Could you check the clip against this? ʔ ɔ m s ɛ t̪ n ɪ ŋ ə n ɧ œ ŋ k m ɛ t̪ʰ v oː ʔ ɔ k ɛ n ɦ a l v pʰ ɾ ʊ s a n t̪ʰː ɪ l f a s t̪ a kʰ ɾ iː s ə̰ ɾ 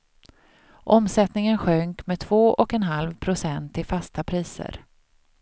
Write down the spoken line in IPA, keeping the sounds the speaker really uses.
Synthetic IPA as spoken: ʔ ɔ m s ɛ t̪ n ɪ ŋ ə n ɧ œ ŋ k m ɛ t̪ʰ v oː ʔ ɔ k ɛ n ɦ a l v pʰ ɾ ʊ s ɛ n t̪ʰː ɪ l f a s t̪ a pʰ ɾ iː s ə̰ ɾ